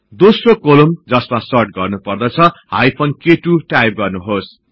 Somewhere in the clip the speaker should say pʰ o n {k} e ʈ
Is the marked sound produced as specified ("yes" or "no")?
yes